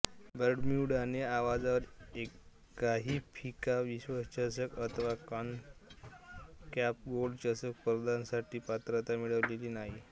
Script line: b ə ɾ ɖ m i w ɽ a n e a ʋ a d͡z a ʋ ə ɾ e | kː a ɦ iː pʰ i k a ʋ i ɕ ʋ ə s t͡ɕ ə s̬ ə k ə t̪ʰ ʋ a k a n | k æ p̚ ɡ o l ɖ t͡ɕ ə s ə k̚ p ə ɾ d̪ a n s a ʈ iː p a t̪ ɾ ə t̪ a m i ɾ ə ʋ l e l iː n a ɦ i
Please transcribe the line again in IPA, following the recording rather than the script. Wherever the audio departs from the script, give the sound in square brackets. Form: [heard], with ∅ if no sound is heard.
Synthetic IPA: b ə ɾ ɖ m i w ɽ a n e a ʋ a d͡z a ʋ ə ɾ e | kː a ɦ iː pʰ i k a ʋ i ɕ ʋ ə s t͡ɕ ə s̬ ə k ə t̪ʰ ʋ a k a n | k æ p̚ ɡ o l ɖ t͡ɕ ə s ə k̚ p ə ɾ d̪ a n s a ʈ iː p a t̪ ɾ ə t̪ a m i [ɭ] ə ʋ l e l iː n a ɦ i